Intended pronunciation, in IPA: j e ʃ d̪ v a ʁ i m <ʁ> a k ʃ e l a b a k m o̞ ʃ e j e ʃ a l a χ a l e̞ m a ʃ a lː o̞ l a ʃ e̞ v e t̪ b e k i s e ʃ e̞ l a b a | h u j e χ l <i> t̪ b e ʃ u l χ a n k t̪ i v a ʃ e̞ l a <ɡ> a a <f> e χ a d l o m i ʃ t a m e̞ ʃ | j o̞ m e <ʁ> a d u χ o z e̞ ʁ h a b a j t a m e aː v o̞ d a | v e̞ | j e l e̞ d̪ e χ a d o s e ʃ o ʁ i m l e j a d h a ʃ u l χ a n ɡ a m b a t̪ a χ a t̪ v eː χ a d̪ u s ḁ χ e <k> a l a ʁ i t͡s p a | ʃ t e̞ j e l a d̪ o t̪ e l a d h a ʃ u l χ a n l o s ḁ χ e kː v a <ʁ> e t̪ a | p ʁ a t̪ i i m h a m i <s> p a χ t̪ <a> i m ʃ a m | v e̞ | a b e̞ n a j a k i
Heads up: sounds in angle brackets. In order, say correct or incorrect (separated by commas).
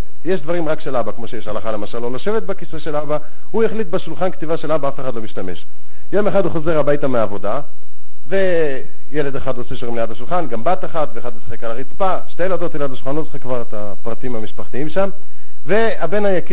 correct, correct, incorrect, correct, incorrect, correct, correct, incorrect, incorrect